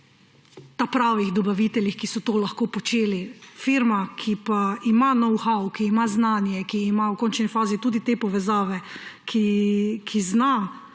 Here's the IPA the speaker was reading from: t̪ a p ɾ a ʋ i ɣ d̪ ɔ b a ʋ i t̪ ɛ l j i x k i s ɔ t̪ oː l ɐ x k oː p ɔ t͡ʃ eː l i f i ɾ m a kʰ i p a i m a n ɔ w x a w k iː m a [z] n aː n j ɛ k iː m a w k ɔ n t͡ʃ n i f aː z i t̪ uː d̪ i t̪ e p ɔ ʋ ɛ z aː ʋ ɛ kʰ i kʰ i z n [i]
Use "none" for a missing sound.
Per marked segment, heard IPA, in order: z, a

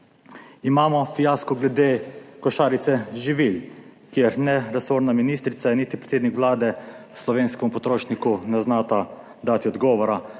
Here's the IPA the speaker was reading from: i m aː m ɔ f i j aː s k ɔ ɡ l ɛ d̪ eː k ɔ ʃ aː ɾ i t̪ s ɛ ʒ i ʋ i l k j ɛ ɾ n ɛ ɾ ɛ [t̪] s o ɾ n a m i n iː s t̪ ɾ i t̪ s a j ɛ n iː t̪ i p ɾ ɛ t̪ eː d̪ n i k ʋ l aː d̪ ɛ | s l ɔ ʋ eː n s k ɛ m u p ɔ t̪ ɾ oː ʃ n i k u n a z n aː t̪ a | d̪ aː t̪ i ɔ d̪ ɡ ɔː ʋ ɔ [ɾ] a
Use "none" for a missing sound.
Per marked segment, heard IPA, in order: none, ɾ

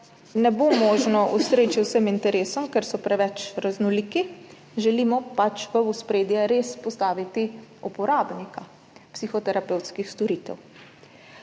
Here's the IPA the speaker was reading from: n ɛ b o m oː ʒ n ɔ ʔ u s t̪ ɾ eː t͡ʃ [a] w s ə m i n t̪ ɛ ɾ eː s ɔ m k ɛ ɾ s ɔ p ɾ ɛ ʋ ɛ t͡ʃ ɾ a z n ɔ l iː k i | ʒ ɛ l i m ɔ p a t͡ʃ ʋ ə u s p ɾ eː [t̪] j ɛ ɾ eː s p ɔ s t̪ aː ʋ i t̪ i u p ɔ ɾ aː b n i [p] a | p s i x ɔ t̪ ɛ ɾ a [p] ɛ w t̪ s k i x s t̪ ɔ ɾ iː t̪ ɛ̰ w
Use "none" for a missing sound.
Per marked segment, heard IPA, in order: i, d̪, k, p

